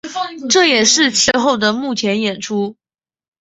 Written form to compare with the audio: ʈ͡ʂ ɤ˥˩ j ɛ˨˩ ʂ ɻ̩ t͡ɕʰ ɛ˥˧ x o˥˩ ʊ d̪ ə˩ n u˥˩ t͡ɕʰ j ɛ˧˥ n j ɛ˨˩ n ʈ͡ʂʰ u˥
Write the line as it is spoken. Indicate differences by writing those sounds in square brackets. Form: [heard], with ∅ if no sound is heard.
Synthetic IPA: ʈ͡ʂ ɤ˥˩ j ɛ˨˩ ʂ ɻ̩ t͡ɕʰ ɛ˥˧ x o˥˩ ʊ d̪ ə˩ [m] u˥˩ t͡ɕʰ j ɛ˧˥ n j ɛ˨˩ n ʈ͡ʂʰ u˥

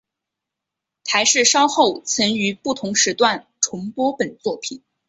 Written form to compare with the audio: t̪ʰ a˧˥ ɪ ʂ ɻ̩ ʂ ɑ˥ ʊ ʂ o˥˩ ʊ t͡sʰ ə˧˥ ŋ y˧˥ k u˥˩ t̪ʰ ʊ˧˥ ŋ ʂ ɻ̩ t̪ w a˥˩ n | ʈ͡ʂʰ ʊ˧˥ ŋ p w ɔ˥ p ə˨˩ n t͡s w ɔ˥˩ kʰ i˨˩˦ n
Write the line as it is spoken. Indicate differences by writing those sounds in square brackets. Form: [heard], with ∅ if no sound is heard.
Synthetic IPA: t̪ʰ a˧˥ ɪ ʂ ɻ̩ ʂ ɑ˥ ʊ [x] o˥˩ ʊ t͡sʰ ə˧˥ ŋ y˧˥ [p] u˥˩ t̪ʰ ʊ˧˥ ŋ ʂ ɻ̩ t̪ w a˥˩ n | ʈ͡ʂʰ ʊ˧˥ ŋ p w ɔ˥ p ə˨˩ n t͡s w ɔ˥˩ [pʰ] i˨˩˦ n

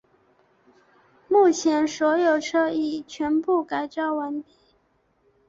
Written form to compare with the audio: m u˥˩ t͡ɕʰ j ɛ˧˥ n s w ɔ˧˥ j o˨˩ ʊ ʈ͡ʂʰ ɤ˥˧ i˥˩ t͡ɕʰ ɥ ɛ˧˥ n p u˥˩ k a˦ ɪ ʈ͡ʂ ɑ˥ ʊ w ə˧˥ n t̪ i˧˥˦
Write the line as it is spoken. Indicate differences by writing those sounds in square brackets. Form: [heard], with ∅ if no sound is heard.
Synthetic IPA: m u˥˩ t͡ɕʰ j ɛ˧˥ n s w ɔ˧˥ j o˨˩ ʊ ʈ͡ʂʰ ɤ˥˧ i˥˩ t͡ɕʰ ɥ ɛ˧˥ n p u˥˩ k [a˨˩] ɪ ʈ͡ʂ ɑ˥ ʊ w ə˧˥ n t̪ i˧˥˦

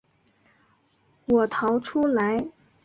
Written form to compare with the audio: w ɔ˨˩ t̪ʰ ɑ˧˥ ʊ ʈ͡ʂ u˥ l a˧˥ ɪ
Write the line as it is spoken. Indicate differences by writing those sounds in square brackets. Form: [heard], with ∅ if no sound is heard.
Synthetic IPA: w ɔ˨˩ t̪ʰ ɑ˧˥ ʊ [ʈ͡ʂʰ] u˥ l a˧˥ ɪ

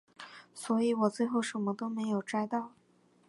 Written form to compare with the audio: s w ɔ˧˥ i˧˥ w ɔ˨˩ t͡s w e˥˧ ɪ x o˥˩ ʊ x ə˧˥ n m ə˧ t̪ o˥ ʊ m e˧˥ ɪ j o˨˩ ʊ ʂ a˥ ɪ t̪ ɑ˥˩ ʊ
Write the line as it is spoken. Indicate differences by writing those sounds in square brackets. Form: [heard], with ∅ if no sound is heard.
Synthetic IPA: s w ɔ˧˥ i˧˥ w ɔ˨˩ t͡s w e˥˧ ɪ x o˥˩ ʊ [ʂ] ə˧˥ n m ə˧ t̪ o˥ ʊ m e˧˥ ɪ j o˨˩ ʊ [ʈ͡ʂ] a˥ ɪ t̪ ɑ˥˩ ʊ

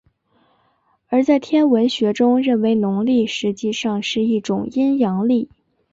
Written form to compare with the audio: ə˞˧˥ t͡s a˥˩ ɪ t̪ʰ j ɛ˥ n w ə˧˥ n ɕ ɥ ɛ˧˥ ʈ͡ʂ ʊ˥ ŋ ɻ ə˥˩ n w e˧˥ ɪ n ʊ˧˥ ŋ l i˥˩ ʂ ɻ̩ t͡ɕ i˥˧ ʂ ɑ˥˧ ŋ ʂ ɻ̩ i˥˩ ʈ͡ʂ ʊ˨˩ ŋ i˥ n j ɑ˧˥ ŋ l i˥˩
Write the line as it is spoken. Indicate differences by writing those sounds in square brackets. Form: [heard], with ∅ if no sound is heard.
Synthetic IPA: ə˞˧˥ t͡s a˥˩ ɪ t̪ʰ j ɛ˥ n w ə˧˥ n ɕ ɥ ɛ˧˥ ʈ͡ʂ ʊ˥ ŋ ɻ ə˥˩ n w e˧˥ ɪ n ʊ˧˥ ŋ l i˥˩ ʂ ɻ̩ t͡ɕ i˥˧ ʂ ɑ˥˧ ŋ ʂ ɻ̩ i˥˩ ʈ͡ʂ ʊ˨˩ ŋ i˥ n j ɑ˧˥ ŋ l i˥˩

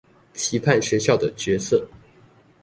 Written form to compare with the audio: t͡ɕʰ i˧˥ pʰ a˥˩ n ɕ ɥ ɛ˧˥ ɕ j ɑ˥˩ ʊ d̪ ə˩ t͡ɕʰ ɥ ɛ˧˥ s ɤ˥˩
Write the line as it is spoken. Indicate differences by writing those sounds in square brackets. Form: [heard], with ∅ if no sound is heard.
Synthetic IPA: t͡ɕʰ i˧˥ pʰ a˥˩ n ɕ ɥ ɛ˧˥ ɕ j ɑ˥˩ ʊ d̪ ə˩ [t͡ɕ] ɥ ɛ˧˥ s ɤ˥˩

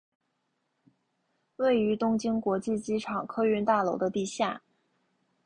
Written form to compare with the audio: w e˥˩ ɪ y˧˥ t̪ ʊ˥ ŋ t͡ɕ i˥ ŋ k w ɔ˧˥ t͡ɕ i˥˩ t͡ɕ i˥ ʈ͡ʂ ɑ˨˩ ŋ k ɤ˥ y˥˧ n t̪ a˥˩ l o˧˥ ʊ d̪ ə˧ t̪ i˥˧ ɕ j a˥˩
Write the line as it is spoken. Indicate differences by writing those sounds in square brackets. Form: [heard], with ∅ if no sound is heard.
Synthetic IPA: w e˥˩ ɪ y˧˥ t̪ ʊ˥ ŋ t͡ɕ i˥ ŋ k w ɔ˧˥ t͡ɕ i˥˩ t͡ɕ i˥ [ʈ͡ʂʰ] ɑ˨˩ ŋ [kʰ] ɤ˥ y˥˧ n t̪ a˥˩ l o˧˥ ʊ d̪ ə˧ t̪ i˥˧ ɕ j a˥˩

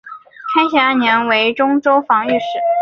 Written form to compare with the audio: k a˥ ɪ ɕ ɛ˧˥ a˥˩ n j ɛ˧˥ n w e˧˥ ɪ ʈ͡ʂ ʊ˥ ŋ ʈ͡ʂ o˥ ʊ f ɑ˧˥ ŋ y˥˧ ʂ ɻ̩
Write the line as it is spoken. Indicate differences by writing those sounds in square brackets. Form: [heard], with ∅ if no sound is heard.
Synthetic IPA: [kʰ] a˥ ɪ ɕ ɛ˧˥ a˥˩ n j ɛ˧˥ n w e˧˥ ɪ ʈ͡ʂ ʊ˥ ŋ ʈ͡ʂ o˥ ʊ f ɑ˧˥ ŋ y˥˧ ʂ ɻ̩

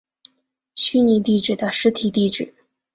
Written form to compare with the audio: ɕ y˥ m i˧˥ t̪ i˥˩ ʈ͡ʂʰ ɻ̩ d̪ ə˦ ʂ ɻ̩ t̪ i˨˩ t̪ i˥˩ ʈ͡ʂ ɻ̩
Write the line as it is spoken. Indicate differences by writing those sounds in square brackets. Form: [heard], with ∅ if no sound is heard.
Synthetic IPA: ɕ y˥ [n] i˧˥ t̪ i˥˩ [ʈ͡ʂ] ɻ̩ d̪ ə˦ ʂ ɻ̩ [t̪ʰ] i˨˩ t̪ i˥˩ ʈ͡ʂ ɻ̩

